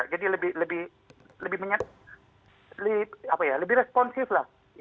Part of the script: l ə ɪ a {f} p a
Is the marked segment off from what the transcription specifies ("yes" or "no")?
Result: yes